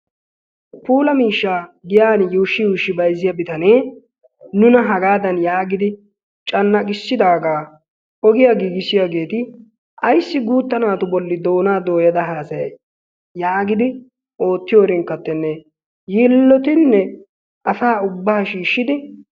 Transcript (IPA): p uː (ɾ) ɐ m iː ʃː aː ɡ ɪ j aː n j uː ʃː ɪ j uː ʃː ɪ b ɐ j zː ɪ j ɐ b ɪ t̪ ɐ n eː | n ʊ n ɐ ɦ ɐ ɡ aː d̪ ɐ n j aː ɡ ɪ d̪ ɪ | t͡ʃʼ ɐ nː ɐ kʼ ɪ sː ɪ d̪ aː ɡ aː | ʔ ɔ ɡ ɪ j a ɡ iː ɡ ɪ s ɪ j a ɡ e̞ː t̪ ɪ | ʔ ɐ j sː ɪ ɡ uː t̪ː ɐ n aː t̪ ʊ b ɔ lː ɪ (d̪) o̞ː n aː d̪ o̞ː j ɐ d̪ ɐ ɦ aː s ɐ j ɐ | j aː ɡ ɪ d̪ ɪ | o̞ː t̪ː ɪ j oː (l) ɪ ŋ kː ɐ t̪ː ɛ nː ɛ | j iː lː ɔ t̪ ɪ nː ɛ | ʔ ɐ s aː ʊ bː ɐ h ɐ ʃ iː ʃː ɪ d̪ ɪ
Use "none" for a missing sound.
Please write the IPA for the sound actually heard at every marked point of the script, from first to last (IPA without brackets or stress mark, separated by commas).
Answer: l, d̪, ɾ